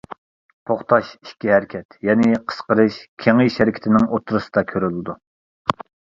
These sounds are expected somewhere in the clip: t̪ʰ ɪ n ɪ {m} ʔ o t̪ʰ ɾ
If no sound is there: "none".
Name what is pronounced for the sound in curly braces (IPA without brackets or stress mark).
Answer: ŋ